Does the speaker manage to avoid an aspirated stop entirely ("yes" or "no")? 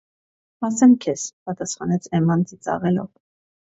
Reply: no